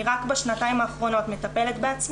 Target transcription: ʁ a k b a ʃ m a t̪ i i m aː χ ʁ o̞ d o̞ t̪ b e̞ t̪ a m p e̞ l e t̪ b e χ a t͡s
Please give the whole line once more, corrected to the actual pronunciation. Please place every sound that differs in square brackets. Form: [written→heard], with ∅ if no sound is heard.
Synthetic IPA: ʁ a k b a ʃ [m→n] a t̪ [i→a] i m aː χ ʁ o̞ [d→n] o̞ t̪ [b→m] e̞ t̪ a [m→∅] p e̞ l e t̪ b e [χ→∅] a t͡s